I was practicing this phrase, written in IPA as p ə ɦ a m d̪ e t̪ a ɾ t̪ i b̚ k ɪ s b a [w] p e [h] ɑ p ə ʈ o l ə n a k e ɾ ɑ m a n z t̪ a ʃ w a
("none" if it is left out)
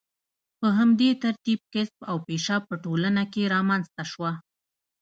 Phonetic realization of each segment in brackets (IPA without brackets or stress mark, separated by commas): w, ʃ